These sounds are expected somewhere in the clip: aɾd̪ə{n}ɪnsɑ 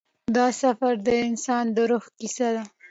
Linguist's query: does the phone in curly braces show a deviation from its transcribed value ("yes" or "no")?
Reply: yes